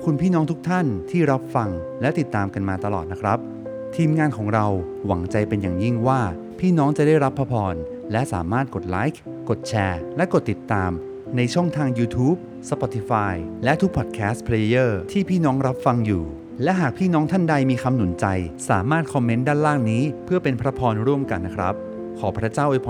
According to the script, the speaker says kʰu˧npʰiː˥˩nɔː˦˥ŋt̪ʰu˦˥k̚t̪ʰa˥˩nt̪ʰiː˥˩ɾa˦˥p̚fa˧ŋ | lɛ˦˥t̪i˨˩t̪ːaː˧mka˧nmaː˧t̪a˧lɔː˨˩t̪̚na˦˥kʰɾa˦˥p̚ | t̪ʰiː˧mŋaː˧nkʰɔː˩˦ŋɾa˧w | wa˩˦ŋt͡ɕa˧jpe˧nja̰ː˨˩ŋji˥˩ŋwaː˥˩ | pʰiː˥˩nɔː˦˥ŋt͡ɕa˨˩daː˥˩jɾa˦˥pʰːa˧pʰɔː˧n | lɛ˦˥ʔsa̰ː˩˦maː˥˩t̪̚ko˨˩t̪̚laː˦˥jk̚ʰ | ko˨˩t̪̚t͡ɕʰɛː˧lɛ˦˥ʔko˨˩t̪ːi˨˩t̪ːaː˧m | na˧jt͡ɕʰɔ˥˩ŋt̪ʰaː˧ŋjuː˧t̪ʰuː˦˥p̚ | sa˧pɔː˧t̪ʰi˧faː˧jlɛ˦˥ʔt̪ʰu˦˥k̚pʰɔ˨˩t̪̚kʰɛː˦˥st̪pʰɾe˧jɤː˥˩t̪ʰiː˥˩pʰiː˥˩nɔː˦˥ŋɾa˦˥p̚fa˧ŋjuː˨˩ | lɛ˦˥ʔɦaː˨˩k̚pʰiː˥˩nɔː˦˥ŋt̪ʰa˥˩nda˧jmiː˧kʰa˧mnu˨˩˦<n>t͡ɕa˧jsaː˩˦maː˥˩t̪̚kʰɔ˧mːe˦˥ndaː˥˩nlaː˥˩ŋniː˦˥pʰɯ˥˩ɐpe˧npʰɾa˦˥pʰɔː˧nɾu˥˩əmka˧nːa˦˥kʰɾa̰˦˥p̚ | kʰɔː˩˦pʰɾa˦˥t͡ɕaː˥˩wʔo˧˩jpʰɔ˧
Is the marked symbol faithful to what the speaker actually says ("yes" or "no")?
yes